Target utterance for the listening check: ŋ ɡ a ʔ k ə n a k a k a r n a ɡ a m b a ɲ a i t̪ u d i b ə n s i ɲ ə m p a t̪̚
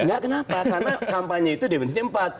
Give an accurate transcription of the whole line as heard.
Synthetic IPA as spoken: ŋ ɡ a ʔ k ə n a p a k a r n a k a m p a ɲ a i t̪ u d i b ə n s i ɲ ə m p a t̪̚